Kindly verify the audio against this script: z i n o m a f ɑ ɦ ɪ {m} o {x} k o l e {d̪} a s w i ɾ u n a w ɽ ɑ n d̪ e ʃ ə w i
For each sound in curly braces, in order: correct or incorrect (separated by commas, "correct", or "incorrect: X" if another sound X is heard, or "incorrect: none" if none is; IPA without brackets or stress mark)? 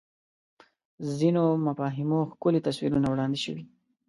correct, correct, incorrect: t̪